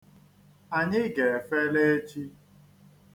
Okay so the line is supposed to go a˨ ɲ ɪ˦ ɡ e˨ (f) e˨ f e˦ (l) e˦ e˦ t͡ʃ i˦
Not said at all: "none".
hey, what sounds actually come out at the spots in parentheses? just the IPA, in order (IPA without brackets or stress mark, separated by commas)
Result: none, l